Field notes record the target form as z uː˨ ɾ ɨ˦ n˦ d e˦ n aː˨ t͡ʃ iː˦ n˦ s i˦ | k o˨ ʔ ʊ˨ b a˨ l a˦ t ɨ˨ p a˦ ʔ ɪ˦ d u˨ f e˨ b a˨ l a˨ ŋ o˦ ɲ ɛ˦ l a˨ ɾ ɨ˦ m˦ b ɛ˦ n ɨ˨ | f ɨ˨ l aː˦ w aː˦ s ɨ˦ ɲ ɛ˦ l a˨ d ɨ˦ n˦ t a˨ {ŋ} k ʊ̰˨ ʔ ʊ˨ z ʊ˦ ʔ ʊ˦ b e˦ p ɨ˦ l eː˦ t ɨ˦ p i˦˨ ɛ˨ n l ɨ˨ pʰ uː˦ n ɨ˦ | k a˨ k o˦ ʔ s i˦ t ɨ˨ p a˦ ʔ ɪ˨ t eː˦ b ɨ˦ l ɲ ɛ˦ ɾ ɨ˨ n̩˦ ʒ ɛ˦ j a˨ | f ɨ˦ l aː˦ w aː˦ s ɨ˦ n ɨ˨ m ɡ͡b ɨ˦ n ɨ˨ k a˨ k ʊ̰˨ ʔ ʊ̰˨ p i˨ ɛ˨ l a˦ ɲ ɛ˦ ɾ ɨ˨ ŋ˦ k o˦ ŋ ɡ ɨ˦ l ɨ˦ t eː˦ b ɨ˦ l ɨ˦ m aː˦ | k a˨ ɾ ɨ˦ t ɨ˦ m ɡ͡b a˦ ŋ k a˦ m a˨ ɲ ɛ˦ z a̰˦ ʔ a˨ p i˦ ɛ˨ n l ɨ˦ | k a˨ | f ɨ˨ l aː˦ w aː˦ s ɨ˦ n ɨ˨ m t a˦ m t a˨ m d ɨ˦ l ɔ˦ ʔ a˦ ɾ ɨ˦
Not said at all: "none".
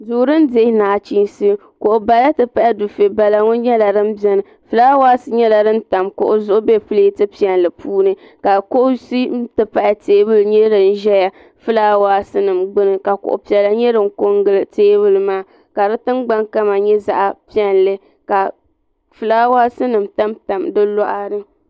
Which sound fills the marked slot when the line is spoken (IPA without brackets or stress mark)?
m